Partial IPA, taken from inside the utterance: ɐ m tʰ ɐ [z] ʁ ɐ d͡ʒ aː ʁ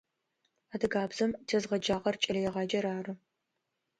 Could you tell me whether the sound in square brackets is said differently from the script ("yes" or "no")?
no